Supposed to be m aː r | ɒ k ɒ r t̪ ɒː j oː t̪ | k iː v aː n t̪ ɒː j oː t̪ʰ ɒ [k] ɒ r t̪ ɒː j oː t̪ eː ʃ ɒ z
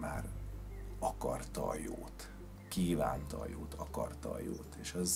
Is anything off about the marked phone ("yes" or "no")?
no